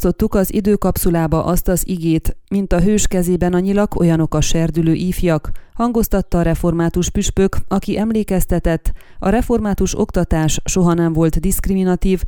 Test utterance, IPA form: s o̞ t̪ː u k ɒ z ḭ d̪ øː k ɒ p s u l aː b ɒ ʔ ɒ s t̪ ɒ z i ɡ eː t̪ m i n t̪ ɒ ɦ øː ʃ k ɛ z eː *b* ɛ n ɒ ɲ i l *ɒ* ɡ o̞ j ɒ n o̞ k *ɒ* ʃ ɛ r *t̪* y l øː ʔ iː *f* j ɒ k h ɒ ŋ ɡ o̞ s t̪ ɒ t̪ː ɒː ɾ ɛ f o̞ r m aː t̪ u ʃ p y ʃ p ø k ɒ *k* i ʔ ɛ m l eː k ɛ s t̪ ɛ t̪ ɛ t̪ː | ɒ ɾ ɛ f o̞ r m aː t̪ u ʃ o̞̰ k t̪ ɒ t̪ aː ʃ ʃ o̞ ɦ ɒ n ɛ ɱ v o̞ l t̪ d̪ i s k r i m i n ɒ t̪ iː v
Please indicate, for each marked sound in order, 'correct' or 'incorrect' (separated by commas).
correct, correct, correct, incorrect, correct, correct